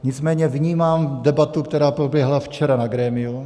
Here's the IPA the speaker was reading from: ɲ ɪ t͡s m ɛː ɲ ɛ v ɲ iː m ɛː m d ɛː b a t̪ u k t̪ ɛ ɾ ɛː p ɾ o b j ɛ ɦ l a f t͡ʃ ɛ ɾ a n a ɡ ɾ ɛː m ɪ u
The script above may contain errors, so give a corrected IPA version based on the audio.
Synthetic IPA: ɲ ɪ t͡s m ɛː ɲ ɛ v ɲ iː m aː m d ɛ b a t̪ u k t̪ ɛ ɾ aː p ɾ o b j ɛ ɦ l a f t͡ʃ ɛ ɾ a n a ɡ ɾ ɛː m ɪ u